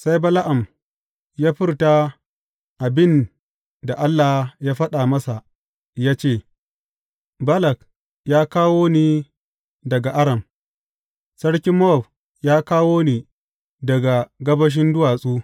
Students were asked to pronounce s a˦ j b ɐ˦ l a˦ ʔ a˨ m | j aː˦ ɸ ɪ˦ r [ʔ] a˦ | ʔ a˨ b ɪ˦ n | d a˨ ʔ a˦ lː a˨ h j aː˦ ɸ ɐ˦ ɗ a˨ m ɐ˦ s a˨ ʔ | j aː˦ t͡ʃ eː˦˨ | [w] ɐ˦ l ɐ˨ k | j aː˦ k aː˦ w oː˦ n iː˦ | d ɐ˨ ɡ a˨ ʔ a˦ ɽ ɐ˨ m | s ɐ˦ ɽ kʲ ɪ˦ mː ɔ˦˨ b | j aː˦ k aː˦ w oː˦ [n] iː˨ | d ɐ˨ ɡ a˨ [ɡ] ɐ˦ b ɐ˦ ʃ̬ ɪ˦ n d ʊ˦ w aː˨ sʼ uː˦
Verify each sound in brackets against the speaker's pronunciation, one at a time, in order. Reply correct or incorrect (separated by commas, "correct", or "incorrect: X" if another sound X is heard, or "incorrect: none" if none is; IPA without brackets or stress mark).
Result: incorrect: t, incorrect: b, correct, correct